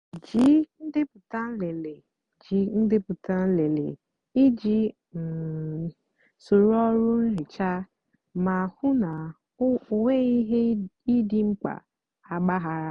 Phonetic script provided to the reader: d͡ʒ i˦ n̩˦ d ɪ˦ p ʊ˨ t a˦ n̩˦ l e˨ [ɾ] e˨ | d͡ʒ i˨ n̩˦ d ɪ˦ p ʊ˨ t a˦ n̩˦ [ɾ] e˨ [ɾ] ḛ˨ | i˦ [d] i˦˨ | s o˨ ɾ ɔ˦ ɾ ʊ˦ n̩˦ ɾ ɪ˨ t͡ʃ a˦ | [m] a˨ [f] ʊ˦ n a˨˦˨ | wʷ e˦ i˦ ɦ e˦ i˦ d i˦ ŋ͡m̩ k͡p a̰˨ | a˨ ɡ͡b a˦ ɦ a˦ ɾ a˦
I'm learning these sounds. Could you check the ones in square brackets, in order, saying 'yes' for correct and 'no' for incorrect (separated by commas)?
no, no, no, no, yes, no